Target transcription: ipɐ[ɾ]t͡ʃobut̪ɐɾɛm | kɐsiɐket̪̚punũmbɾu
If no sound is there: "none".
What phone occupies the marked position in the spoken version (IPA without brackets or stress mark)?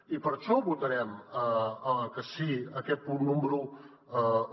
ɾ